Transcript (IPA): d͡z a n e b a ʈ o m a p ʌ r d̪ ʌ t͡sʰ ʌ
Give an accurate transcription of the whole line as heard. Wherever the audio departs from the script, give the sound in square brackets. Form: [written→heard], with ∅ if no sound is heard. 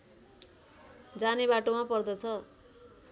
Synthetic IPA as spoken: d͡z a n e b a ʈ o m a p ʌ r d̪ ʌ t͡sʰ ʌ